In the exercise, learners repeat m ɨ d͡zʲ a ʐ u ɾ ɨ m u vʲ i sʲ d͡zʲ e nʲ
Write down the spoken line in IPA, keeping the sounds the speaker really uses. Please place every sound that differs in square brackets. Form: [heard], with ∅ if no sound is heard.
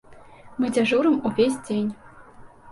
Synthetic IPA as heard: m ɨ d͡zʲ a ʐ u ɾ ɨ m u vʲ [e] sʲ d͡zʲ e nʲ